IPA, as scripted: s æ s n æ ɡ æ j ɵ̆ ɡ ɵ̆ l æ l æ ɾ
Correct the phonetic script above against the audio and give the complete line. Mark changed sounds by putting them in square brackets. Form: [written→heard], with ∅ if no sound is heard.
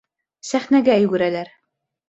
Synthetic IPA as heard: s æ [s→χ] n æ ɡ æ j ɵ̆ ɡ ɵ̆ [l→ɾ] æ l æ ɾ

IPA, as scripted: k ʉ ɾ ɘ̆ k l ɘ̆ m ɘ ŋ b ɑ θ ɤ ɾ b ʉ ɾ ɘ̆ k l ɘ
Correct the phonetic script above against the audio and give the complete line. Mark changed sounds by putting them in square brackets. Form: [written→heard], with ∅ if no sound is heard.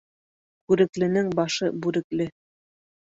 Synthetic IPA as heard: k ʉ ɾ ɘ̆ k l ɘ̆ [m→n] ɘ ŋ b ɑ [θ→ʃ] ɤ [ɾ→∅] b ʉ ɾ ɘ̆ k l ɘ

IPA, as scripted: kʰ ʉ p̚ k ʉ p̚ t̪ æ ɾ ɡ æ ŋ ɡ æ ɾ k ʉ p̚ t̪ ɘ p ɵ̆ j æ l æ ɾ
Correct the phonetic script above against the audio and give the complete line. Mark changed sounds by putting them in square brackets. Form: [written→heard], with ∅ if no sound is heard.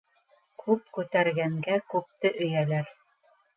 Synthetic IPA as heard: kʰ ʉ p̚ k ʉ [p̚→∅] t̪ æ ɾ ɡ æ ŋ ɡ æ [ɾ→∅] k ʉ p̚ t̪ ɘ [p→ʔ] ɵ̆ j æ l æ ɾ

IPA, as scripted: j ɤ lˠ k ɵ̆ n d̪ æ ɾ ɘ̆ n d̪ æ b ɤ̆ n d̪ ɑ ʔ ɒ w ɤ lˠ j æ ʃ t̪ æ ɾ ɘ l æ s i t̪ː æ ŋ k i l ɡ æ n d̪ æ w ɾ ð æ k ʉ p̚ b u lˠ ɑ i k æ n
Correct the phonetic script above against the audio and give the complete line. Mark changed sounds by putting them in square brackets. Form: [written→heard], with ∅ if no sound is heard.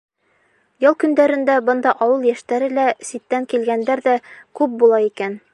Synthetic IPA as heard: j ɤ lˠ k ɵ̆ n d̪ æ ɾ ɘ̆ n d̪ æ b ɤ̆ n d̪ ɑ ʔ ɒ w ɤ lˠ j æ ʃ t̪ æ ɾ ɘ l æ s i t̪ː æ ŋ k i l ɡ æ n d̪ æ [w→∅] ɾ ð æ k ʉ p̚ b u lˠ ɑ i k æ n

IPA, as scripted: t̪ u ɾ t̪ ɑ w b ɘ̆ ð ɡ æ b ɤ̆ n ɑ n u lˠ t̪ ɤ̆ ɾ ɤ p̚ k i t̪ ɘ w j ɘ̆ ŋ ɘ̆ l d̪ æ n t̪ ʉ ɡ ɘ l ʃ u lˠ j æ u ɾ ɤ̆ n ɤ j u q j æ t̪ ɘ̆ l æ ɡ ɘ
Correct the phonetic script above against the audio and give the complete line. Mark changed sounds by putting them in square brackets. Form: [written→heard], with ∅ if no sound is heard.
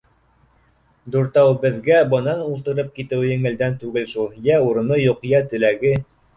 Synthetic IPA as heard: [t̪→d̪] u ɾ t̪ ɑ w b ɘ̆ ð ɡ æ b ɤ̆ n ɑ n u lˠ t̪ ɤ̆ ɾ ɤ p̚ k i t̪ ɘ w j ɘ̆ ŋ ɘ̆ l d̪ æ n t̪ ʉ ɡ ɘ l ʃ u lˠ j æ u ɾ ɤ̆ n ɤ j u q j æ t̪ ɘ̆ l æ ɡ ɘ

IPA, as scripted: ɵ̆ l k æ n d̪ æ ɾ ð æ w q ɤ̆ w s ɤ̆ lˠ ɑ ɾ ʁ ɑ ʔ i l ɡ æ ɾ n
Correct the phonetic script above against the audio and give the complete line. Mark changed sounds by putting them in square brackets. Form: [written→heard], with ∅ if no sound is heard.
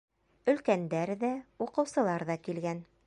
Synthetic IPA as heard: ɵ̆ l k æ n d̪ æ ɾ ð æ [w→u] q ɤ̆ w s ɤ̆ lˠ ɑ ɾ [ʁ→ð] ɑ [ʔ→k] i l ɡ æ [ɾ→∅] n

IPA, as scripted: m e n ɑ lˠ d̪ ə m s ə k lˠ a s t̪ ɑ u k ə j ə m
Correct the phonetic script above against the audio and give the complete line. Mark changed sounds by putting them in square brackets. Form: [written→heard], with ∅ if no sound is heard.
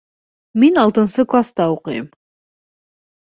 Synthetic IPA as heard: m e n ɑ lˠ [d̪→t̪] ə [m→n] s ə k lˠ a s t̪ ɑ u [k→q] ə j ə m

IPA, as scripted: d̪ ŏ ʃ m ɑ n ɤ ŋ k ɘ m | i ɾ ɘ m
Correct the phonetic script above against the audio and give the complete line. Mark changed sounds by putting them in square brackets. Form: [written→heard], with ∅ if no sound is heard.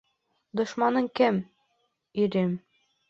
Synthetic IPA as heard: d̪ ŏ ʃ m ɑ n ɤ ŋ k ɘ m | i ɾ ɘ m

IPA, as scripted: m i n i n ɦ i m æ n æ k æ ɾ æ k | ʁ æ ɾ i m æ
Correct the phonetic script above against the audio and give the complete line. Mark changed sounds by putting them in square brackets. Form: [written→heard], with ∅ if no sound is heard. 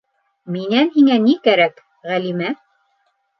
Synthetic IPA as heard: m i n [i→æ] n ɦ i [m→ŋ] æ n [æ→i] k æ ɾ æ k | ʁ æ [ɾ→l] i m æ

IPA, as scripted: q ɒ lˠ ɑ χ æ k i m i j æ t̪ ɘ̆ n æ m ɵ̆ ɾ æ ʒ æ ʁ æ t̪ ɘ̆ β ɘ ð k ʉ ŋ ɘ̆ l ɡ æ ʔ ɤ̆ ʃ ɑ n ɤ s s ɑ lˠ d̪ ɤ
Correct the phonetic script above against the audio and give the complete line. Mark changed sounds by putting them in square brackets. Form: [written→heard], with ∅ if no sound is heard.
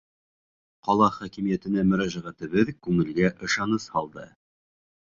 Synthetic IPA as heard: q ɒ lˠ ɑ χ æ k i m i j æ t̪ ɘ̆ n æ m ɵ̆ ɾ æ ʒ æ ʁ æ t̪ ɘ̆ β ɘ ð k ʉ ŋ ɘ̆ l ɡ æ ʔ ɤ̆ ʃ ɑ n ɤ s [s→h] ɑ lˠ d̪ ɤ

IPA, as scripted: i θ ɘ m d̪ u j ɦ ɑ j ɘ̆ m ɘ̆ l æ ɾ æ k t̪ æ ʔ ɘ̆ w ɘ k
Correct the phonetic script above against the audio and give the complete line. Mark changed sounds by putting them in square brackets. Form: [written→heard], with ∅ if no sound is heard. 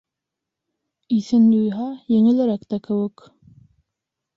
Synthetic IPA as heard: i θ ɘ [m→n] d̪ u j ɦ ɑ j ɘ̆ [m→ŋ] ɘ̆ l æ ɾ æ k t̪ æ [ʔ→k] ɘ̆ w ɘ k

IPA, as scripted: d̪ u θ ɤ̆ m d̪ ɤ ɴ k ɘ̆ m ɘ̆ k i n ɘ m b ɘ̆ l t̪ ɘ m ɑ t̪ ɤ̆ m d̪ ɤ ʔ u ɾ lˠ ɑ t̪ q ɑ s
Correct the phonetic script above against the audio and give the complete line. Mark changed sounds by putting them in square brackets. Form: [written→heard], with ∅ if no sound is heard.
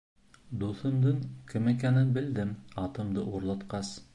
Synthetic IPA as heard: d̪ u θ ɤ̆ m d̪ ɤ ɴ k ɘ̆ m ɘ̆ k [i→æ] n ɘ [m→n] b ɘ̆ l [t̪→d̪] ɘ m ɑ t̪ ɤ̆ m d̪ ɤ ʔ u ɾ lˠ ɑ t̪ q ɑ s

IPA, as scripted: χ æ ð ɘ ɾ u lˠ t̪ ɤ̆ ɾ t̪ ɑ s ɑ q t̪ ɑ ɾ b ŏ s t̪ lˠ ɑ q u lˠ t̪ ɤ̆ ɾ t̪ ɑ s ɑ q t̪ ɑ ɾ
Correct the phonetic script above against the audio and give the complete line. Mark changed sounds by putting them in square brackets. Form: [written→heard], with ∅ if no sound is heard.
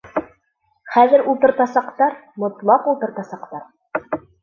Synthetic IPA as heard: χ æ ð ɘ ɾ u lˠ t̪ ɤ̆ ɾ t̪ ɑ s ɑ q t̪ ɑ ɾ [b→m] ŏ [s→∅] t̪ lˠ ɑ q u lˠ t̪ ɤ̆ ɾ t̪ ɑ s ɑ q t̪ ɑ ɾ

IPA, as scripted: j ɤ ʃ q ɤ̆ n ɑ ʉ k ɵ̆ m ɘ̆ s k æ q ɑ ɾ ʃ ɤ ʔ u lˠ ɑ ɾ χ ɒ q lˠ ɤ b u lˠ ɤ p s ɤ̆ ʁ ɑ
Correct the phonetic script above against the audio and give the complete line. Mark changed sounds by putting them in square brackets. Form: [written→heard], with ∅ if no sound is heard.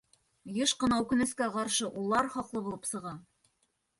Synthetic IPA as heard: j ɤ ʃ q ɤ̆ n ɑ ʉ k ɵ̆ [m→n] ɘ̆ s k æ q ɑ ɾ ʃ ɤ ʔ u lˠ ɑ ɾ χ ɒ q lˠ ɤ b u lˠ ɤ p s ɤ̆ ʁ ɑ

